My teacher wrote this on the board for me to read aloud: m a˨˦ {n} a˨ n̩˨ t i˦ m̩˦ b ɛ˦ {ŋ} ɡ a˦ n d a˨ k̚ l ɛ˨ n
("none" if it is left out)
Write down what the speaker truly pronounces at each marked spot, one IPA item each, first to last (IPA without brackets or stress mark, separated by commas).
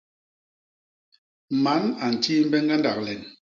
n, ŋ